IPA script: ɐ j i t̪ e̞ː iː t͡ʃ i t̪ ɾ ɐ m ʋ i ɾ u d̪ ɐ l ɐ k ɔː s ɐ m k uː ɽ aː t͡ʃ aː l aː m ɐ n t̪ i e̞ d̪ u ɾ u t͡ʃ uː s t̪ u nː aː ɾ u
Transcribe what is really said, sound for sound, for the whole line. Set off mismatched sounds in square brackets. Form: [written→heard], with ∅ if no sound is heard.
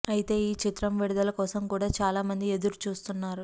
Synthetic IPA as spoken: ɐ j i t̪ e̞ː iː t͡ʃ i t̪ ɾ ɐ m ʋ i [ɾ→ɽ] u d̪ ɐ l ɐ k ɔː s ɐ m k uː ɽ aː t͡ʃ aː l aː m ɐ n [t̪→d̪] i e̞ d̪ u ɾ u t͡ʃ uː s t̪ u nː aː ɾ u